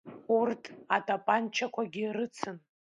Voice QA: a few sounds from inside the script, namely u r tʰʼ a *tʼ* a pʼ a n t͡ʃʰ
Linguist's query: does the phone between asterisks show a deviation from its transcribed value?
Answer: no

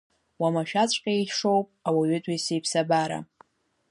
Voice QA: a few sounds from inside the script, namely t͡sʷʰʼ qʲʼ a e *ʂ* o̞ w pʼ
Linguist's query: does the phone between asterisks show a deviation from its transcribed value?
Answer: no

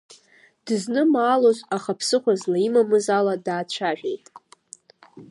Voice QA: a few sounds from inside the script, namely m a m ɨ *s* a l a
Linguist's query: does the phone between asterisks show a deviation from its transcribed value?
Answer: yes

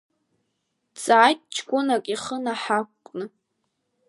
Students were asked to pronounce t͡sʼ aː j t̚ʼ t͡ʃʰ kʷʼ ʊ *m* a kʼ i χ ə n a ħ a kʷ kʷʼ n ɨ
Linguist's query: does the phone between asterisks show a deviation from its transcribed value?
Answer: yes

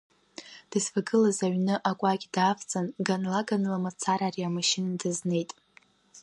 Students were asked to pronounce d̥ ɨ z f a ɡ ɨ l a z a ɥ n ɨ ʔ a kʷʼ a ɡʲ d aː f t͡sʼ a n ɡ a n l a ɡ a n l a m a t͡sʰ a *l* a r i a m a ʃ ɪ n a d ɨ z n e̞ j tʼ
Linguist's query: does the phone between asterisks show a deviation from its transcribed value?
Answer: yes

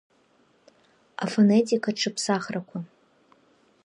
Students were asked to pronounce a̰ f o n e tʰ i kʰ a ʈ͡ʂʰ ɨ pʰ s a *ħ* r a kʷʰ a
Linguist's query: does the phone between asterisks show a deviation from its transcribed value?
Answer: yes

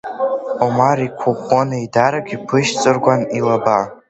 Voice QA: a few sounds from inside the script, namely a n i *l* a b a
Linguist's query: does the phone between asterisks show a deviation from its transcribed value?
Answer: no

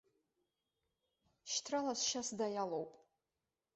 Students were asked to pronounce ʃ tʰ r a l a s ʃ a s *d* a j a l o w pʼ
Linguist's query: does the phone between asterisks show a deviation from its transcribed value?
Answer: no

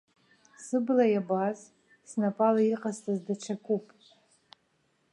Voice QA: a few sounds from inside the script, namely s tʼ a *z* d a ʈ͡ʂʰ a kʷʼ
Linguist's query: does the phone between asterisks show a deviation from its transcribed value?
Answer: no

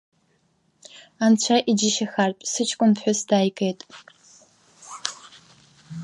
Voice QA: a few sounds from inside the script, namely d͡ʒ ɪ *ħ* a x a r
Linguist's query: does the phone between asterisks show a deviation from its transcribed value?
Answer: yes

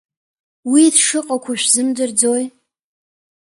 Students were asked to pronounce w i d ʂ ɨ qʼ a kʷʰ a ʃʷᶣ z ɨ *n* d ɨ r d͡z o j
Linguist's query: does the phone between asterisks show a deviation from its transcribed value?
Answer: yes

